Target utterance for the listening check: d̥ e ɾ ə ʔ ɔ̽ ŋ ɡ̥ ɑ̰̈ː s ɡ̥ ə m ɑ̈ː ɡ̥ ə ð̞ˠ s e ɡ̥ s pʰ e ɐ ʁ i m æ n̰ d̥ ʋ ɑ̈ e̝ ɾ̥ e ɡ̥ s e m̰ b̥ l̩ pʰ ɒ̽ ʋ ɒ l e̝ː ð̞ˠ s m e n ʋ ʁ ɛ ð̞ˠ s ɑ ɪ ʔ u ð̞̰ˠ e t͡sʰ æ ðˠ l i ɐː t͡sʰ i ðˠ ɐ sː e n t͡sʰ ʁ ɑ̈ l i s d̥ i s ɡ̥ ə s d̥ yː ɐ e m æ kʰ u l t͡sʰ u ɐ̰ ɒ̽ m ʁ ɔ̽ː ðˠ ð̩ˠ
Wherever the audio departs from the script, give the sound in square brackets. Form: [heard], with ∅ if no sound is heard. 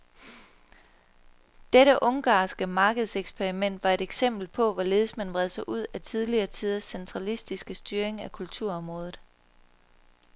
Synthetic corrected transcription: d̥ e ɾ ə ʔ ɔ̽ ŋ ɡ̥ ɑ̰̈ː s ɡ̥ ə m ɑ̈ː ɡ̥ ə ð̞ˠ s e ɡ̥ s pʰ e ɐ ʁ i m [e] n̰ d̥ ʋ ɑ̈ e̝ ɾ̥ e ɡ̥ s e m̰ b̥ l̩ pʰ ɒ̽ ʋ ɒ l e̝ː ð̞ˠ s m [æ] n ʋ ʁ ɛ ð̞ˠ s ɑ ɪ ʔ u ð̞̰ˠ [æ] t͡sʰ [i] ðˠ l i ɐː t͡sʰ i ðˠ ɐ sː e n t͡sʰ ʁ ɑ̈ l i s d̥ i s ɡ̥ ə s d̥ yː ɐ e [ŋ] æ kʰ u l t͡sʰ u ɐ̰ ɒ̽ m ʁ ɔ̽ː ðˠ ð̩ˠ